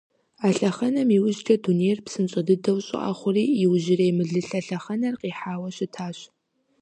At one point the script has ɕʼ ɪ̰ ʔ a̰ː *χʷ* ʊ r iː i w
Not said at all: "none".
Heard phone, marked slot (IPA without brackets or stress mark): χʷ